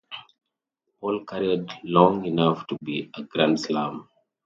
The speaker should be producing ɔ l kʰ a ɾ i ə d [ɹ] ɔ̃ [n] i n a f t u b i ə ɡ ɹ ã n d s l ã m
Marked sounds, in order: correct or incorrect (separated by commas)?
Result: incorrect, incorrect